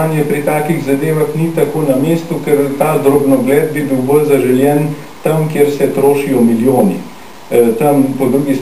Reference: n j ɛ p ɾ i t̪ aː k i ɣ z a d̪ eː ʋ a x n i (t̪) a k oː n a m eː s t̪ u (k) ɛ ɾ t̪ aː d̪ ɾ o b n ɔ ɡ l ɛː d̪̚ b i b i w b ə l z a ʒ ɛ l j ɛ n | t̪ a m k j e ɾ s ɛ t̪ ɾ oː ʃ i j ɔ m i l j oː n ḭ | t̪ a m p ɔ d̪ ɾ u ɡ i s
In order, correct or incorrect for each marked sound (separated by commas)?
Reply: correct, correct